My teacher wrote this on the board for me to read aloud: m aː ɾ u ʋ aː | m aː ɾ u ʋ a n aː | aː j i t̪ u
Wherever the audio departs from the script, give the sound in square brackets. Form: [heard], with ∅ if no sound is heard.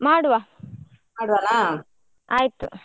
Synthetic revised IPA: m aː [ɽ] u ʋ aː | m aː [ɽ] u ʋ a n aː | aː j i t̪ u